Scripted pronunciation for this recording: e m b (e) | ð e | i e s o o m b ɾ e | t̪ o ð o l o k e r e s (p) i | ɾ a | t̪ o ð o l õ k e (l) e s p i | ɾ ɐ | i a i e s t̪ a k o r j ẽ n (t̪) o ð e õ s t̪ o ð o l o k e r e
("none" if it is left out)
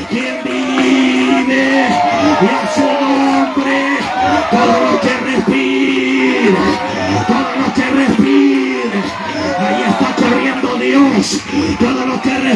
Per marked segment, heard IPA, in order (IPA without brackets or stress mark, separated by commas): i, p, r, d̪